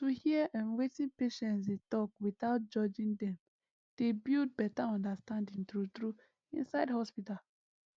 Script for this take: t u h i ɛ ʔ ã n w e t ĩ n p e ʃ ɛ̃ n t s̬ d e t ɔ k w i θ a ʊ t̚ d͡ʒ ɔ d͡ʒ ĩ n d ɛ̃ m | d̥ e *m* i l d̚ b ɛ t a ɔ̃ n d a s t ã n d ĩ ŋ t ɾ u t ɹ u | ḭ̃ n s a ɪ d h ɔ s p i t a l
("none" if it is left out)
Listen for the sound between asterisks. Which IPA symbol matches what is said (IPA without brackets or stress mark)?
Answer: b